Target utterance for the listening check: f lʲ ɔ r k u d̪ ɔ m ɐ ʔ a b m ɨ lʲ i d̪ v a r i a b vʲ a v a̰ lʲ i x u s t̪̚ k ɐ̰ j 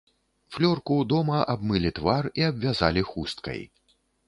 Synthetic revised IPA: f lʲ ɔ r k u d̪ ɔ m ɐ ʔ a b m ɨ lʲ i t̪ v a r i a b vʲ a z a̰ lʲ i x u s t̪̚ k ɐ̰ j